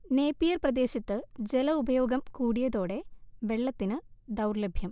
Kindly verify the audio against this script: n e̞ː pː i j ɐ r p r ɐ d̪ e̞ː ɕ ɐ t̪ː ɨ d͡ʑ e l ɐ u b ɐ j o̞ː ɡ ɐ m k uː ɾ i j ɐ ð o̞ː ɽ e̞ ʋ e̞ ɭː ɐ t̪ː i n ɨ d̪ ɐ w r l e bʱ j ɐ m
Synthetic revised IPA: n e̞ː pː i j ɐ r p r ɐ d̪ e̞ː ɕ ɐ t̪ː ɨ d͡ʑ e l ɐ u b ɐ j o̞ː ɡ ɐ m k uː ɽ i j ɐ ð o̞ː ɽ e̞ ʋ e̞ ɭː ɐ t̪ː i n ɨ d̪ ɐ w r l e bʱ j ɐ m